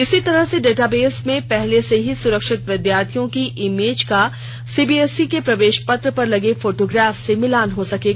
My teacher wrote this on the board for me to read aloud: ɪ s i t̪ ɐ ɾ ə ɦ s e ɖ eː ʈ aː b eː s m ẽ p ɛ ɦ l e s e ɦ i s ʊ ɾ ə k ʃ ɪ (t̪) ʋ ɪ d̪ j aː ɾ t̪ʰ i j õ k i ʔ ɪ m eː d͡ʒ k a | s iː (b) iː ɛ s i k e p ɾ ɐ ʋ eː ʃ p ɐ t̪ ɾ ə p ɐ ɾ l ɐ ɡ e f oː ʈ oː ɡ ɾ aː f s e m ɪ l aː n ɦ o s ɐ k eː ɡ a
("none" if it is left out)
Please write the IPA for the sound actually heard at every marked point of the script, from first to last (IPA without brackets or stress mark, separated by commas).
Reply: t̪, b